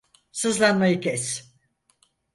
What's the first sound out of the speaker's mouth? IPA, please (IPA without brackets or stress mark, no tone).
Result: s